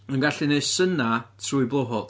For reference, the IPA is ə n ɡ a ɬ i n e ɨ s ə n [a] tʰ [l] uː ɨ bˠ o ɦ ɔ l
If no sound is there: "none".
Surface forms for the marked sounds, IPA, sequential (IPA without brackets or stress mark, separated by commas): a, r